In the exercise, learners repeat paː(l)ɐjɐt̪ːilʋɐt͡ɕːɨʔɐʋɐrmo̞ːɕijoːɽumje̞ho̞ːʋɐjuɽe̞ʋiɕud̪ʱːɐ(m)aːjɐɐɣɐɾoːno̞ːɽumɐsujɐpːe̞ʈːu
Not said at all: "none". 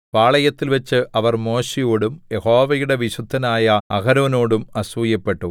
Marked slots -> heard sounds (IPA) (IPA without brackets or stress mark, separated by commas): ɭ, n